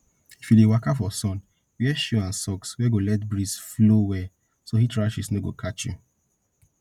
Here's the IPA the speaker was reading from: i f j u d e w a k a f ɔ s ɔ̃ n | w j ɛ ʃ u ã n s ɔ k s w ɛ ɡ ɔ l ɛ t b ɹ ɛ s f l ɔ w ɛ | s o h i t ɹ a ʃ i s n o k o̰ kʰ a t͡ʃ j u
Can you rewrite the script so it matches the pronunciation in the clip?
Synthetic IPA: i f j u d e w a k a f ɔ s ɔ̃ n | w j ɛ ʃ u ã n s ɔ k s w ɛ ɡ o l ɛ t b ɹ i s f l o w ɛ | s o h i t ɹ a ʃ i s n o ɡ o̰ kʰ a t͡ʃ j u